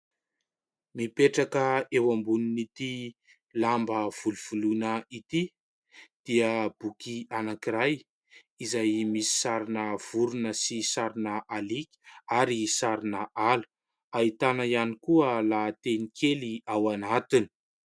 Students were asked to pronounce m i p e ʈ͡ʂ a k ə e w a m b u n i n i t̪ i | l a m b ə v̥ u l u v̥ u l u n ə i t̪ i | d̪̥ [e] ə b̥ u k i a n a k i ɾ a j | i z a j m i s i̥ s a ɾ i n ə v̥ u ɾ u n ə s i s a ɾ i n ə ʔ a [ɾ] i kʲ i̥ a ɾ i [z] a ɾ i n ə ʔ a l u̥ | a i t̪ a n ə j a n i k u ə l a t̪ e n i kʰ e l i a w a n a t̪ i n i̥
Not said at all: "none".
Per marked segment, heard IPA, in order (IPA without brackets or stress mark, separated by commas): i, l, s